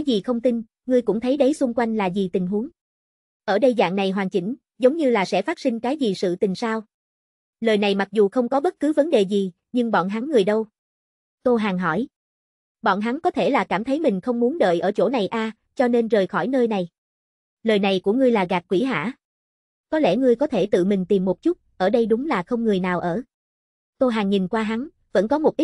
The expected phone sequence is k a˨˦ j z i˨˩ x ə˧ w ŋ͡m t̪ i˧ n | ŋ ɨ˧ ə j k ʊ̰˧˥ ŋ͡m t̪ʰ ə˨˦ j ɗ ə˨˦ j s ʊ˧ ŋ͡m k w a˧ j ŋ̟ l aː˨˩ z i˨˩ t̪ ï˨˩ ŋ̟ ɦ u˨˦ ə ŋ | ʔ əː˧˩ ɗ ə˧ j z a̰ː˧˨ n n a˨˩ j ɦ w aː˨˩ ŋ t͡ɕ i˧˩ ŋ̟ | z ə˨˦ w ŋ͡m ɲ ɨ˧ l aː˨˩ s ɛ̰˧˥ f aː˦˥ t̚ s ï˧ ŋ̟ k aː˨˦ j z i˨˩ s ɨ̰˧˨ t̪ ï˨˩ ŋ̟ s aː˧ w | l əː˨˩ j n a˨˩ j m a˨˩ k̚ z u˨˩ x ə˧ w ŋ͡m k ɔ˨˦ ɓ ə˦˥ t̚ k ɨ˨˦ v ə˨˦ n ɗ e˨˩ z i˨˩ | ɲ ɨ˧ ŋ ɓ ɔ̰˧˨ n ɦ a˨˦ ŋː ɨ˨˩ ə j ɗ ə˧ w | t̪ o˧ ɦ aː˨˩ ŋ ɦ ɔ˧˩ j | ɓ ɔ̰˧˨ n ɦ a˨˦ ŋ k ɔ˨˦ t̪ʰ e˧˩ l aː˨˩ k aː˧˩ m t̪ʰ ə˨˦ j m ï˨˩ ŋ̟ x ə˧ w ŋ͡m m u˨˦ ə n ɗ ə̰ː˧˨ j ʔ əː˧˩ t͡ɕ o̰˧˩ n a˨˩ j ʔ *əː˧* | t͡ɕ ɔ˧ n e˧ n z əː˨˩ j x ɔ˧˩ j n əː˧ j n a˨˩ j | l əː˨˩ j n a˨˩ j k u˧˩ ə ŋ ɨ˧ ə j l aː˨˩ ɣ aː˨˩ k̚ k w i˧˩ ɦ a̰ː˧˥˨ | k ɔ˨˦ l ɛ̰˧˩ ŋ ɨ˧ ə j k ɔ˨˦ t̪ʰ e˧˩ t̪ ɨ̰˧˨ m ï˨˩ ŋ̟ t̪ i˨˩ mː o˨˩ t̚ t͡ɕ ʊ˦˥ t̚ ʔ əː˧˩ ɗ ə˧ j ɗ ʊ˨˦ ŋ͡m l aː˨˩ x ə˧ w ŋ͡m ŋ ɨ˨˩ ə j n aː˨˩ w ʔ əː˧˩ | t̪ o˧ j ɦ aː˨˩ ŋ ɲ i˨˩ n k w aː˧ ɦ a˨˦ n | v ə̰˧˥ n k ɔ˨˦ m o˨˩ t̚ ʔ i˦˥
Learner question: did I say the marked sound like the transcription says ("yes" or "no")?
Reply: no